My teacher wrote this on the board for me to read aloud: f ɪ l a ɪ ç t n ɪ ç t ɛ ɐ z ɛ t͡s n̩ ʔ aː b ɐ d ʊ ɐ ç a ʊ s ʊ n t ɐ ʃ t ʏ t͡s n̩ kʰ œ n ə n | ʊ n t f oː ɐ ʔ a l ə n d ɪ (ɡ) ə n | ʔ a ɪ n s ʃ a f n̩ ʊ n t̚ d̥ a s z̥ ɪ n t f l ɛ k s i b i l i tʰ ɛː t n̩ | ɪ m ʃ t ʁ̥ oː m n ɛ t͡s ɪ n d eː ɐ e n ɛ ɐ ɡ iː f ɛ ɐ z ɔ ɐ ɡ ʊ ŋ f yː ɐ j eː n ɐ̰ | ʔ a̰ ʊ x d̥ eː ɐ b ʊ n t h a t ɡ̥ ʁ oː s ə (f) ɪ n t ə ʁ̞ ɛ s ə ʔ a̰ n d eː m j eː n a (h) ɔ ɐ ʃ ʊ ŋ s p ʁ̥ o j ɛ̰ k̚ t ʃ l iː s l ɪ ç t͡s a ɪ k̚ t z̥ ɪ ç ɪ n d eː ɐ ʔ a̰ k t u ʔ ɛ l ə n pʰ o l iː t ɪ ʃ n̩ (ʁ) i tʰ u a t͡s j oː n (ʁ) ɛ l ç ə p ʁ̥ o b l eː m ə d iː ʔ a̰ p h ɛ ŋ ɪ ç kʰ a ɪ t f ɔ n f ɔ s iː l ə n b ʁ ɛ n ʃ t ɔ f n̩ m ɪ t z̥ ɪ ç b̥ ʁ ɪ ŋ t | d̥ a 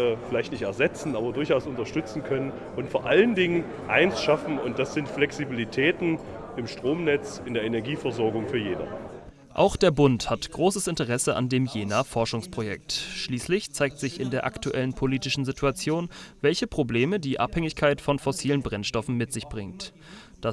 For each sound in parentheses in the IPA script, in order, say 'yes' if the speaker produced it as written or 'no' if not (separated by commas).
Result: no, no, no, no, no